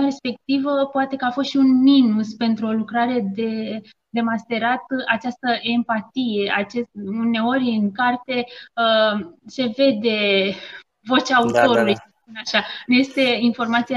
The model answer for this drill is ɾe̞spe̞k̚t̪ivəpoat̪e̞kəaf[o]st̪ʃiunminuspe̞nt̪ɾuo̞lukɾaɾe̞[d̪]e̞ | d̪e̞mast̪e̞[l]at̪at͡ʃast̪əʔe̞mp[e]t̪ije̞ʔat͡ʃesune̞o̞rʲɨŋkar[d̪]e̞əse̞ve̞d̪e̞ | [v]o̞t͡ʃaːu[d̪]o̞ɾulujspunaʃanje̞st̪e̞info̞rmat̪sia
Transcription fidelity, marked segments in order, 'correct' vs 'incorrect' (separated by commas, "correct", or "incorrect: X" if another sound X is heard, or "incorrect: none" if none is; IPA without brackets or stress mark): correct, correct, incorrect: ɾ, incorrect: a, incorrect: t̪, correct, incorrect: t̪